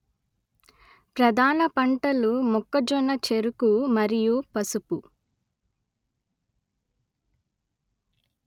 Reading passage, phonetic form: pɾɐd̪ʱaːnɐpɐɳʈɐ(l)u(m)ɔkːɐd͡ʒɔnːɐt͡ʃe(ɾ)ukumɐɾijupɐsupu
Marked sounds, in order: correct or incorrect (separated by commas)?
correct, correct, correct